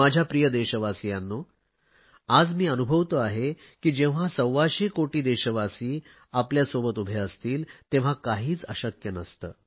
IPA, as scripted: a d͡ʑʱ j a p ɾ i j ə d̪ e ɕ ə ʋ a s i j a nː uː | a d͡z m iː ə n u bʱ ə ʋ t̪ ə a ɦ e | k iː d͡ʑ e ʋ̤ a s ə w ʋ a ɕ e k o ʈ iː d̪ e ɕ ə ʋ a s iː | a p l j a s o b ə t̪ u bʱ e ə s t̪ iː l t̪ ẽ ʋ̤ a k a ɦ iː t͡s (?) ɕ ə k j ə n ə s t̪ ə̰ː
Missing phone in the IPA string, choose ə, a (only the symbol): ə